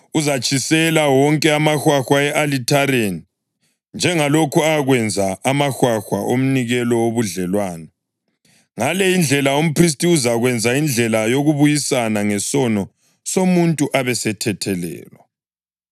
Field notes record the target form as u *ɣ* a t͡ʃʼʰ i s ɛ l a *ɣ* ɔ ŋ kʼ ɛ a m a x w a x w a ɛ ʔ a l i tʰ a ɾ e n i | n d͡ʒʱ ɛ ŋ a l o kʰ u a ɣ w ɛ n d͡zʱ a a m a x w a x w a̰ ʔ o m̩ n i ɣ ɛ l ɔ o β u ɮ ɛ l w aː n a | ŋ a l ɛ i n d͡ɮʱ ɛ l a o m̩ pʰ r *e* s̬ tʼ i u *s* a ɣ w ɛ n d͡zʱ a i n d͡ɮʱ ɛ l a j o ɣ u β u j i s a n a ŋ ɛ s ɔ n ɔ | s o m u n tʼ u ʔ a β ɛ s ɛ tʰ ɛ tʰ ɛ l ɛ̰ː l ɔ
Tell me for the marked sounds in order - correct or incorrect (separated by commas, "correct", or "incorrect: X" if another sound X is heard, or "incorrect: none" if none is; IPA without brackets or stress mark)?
incorrect: z, incorrect: w, incorrect: i, incorrect: z